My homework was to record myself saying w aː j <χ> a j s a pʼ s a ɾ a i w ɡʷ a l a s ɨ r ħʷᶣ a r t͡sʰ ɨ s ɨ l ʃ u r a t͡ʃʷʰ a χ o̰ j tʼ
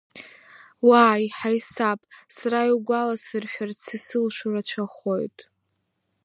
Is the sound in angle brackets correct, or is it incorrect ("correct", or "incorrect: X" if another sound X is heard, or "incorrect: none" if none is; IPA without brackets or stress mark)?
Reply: incorrect: ħ